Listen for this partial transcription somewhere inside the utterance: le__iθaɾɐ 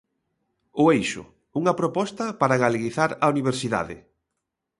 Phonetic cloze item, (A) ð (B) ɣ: B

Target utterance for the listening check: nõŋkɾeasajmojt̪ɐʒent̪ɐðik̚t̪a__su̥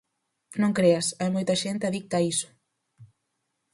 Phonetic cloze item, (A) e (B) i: B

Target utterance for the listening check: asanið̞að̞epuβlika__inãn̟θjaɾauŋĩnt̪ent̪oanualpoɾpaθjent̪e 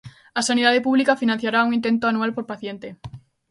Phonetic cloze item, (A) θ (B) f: B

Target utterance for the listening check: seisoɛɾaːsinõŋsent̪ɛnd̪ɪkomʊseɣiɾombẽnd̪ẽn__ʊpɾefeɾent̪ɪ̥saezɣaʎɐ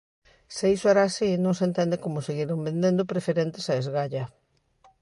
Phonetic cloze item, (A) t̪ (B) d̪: B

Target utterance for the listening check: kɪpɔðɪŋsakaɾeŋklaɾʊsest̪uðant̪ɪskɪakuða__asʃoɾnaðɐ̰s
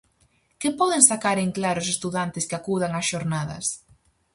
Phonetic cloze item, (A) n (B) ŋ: B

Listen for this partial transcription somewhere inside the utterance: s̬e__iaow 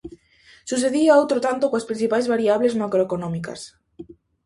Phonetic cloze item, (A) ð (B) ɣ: A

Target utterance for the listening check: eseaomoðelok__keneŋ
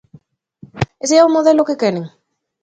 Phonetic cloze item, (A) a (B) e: B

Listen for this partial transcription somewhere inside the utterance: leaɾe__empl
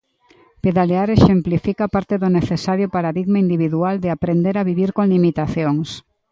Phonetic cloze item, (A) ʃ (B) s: A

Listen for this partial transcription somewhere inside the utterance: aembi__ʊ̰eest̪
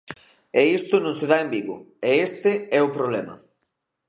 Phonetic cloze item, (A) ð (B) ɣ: B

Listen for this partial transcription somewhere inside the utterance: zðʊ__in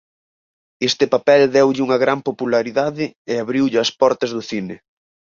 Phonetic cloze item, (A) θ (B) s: A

